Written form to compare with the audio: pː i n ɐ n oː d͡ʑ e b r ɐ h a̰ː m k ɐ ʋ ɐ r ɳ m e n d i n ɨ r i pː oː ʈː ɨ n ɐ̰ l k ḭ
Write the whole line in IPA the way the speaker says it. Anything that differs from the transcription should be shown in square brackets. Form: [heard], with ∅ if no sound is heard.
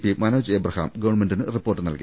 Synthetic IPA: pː i [m] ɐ n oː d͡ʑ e b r ɐ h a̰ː m [ɡ] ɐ ʋ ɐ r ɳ m e n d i n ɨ r i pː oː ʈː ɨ n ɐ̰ l k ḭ